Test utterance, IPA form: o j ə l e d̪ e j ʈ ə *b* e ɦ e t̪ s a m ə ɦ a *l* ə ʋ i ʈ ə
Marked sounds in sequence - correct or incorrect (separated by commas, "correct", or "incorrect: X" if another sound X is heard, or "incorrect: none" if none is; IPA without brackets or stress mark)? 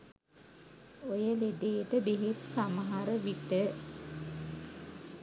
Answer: correct, incorrect: ɾ